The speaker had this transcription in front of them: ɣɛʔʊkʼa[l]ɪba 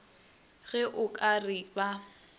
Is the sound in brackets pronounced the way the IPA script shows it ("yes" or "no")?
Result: no